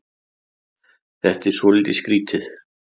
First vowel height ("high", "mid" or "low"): mid